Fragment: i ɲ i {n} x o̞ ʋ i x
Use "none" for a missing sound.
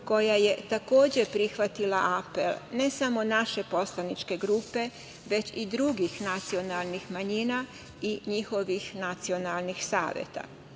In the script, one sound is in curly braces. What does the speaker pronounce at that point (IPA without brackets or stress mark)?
none